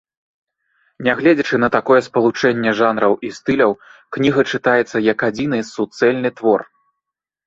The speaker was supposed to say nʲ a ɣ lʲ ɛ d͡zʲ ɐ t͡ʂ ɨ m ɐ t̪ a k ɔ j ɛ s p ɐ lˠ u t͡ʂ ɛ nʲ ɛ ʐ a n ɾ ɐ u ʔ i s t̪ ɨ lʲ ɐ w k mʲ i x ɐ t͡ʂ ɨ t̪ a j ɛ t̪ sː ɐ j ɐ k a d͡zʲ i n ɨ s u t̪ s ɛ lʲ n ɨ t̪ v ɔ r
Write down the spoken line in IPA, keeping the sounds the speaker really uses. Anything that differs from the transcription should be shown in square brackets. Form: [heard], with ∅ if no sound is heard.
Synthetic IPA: nʲ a ɣ lʲ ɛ d͡zʲ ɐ t͡ʂ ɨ [n] ɐ t̪ a k ɔ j ɛ s p ɐ lˠ u t͡ʂ ɛ [nʲː] ɛ ʐ a n ɾ ɐ [w] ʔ i s t̪ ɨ lʲ ɐ w k [nʲ] i [ɣ] ɐ t͡ʂ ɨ t̪ a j ɛ t̪ sː ɐ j ɐ k a d͡zʲ i n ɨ s u t̪ s ɛ lʲ n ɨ t̪ v ɔ r